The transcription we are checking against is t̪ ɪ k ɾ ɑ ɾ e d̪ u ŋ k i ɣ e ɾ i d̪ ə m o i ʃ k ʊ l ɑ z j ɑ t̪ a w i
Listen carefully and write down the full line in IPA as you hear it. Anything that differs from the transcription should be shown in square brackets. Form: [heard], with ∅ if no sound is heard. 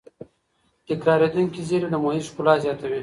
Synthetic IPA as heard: t̪ ɪ k ɾ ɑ ɾ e d̪ u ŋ k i [z] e ɾ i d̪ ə m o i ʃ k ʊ l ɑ z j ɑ t̪ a w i